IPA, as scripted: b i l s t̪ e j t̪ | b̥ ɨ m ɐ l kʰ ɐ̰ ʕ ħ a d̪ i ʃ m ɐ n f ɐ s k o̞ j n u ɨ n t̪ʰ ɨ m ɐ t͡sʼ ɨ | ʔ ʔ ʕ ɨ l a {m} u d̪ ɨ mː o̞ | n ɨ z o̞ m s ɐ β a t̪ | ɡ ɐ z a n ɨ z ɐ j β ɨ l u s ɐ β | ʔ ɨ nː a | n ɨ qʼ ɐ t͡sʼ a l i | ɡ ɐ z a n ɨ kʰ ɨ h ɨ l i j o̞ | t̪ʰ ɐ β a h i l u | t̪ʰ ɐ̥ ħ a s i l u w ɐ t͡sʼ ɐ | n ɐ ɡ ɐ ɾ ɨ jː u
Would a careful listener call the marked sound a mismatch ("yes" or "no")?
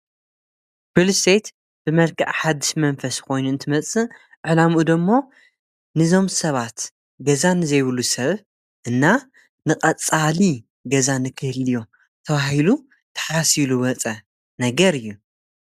no